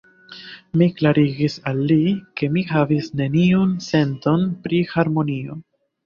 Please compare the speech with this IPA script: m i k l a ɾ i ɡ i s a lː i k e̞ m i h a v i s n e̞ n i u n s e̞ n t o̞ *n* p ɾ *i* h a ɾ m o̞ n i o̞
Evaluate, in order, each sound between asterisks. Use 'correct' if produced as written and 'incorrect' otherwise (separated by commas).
correct, correct